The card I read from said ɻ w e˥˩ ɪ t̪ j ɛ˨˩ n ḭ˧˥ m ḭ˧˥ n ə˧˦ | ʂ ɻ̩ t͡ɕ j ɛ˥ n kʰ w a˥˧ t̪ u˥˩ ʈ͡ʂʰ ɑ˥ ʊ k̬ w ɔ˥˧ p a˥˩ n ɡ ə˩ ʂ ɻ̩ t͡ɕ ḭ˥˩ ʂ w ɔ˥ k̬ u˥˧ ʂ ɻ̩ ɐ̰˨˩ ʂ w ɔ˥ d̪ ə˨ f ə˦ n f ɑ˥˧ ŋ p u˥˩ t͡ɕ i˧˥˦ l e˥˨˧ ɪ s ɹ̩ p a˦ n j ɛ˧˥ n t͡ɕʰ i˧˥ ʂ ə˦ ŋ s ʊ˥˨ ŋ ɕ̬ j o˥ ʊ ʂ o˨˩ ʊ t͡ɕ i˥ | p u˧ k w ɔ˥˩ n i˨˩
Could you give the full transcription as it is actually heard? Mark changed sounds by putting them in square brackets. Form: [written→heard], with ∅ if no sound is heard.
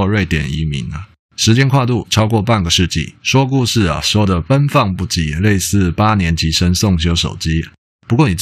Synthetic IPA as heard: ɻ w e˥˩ ɪ t̪ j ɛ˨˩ n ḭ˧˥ m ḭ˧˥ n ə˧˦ | ʂ ɻ̩ t͡ɕ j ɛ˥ n kʰ w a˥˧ t̪ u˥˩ ʈ͡ʂʰ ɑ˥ ʊ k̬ w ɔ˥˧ p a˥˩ n ɡ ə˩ ʂ ɻ̩ t͡ɕ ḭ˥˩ ʂ w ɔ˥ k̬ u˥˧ ʂ ɻ̩ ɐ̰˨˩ ʂ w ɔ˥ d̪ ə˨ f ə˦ n f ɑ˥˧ ŋ p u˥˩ t͡ɕ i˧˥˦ l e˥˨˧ ɪ s ɹ̩ p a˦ n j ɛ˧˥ n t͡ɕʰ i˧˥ ʂ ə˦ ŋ s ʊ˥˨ ŋ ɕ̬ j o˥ ʊ ʂ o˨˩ ʊ t͡ɕ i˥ | p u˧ k w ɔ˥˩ n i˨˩